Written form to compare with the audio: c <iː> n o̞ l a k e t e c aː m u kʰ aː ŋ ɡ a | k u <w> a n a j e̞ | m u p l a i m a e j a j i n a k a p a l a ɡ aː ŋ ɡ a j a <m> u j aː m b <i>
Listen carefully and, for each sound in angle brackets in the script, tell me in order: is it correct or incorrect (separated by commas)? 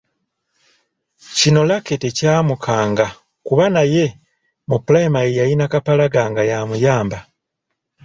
incorrect, incorrect, correct, incorrect